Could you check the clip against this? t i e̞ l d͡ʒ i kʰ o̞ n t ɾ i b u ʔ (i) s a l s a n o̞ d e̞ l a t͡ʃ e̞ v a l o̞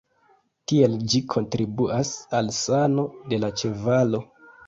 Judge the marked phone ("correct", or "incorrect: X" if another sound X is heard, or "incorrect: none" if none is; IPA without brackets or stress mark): incorrect: a